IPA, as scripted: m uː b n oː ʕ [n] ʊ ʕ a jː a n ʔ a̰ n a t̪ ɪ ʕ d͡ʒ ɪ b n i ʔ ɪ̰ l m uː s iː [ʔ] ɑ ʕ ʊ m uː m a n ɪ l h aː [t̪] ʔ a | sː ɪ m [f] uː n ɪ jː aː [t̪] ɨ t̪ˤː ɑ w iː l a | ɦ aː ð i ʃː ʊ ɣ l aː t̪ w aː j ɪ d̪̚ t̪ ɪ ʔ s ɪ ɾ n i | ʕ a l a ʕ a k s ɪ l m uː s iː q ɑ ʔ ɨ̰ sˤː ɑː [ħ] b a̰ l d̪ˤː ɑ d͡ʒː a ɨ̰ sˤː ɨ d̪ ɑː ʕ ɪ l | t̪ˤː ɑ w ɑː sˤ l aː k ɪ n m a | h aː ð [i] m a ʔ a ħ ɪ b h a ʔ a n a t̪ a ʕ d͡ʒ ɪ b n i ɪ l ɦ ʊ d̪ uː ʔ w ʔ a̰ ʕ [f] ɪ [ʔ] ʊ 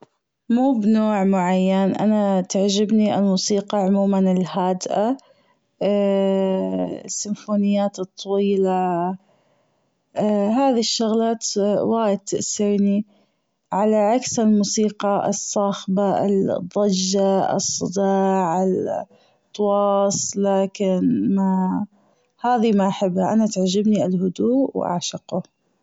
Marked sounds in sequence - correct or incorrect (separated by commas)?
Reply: incorrect, incorrect, incorrect, correct, correct, incorrect, correct, incorrect, incorrect